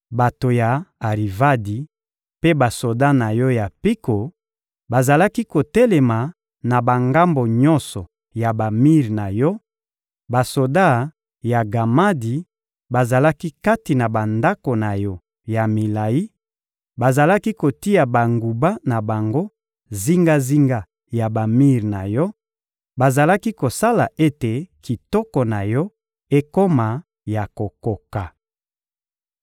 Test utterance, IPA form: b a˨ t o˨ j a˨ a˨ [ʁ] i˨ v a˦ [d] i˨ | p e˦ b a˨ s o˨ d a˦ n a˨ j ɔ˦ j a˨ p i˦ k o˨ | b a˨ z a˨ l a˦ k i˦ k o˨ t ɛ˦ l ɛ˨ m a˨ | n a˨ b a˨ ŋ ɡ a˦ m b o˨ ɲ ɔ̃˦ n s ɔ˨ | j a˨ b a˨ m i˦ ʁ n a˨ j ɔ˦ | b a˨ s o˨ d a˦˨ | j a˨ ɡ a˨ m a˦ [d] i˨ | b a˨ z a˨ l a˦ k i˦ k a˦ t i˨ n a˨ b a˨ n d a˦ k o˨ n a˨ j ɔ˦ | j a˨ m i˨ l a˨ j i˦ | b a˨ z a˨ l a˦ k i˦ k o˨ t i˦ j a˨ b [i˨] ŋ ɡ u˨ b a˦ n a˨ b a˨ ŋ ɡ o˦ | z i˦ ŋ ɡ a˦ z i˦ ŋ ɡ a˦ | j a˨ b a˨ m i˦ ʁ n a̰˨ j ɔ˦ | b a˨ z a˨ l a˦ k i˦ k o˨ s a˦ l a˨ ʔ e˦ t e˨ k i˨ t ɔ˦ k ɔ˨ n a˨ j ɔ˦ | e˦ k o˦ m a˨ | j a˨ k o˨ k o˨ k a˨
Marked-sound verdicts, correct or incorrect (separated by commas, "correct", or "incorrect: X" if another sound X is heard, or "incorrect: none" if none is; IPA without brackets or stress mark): correct, correct, correct, incorrect: a˨